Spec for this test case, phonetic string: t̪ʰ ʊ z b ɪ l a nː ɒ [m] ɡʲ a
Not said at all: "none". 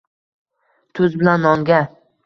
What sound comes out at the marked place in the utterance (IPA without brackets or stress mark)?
ŋ